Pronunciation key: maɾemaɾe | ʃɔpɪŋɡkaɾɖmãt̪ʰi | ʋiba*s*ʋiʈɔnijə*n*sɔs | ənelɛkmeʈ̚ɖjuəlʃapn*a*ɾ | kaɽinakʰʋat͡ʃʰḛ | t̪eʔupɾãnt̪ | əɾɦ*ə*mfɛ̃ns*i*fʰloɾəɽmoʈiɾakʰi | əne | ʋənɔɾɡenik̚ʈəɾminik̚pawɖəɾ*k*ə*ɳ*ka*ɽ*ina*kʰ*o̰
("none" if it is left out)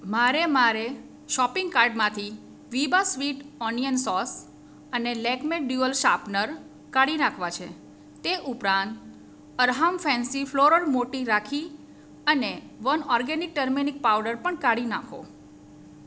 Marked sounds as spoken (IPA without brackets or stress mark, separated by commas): s, n, ə, a, i, p, ɳ, ɽ, kʰ